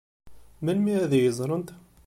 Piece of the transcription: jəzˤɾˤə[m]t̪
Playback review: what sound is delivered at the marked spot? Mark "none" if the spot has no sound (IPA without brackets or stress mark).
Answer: n